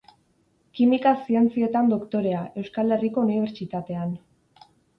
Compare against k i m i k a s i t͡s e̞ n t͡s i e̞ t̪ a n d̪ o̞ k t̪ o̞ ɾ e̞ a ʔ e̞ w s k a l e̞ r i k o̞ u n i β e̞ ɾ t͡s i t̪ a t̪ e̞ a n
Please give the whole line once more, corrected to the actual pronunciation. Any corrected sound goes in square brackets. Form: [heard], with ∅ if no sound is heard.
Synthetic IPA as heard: k i m i k a s i [∅] e̞ n t͡s i e̞ t̪ a n d̪ o̞ k t̪ o̞ ɾ e̞ a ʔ e̞ w s k a l e̞ r i k o̞ u n i β e̞ ɾ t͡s i t̪ a t̪ e̞ a n